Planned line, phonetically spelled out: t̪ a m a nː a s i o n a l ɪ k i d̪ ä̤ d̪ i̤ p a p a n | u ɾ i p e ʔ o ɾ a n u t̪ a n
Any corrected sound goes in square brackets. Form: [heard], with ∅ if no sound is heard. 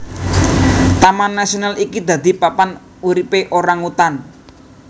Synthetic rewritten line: t̪ a m a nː a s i o n a l [i] k i d̪ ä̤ d̪ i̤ p a p a n | u ɾ i p e ʔ o ɾ a [ŋ] u t̪ a n